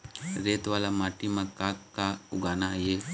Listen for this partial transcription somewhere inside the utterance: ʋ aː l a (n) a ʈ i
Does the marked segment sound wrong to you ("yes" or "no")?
yes